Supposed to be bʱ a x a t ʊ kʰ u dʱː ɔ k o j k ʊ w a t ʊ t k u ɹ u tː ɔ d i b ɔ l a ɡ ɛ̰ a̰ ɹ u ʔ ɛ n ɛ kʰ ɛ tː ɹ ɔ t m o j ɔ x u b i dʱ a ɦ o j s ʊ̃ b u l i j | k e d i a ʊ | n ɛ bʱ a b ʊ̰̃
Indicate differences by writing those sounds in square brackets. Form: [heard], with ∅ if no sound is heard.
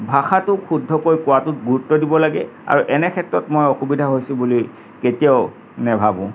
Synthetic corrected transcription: bʱ a x a t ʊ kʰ u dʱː ɔ k o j k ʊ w a t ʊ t [ɡ] u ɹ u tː ɔ d i b ɔ l a ɡ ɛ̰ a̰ ɹ u ʔ ɛ n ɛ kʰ ɛ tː ɹ ɔ t m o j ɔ x u b i dʱ a ɦ o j s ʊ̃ b u l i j | k e [t] i a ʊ | n ɛ bʱ a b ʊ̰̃